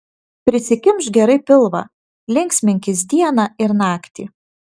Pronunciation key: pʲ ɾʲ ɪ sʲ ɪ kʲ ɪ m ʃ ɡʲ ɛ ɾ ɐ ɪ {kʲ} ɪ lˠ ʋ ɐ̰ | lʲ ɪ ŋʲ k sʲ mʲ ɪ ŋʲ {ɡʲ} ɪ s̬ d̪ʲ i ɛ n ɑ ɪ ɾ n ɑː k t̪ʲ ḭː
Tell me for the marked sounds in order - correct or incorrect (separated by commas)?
incorrect, incorrect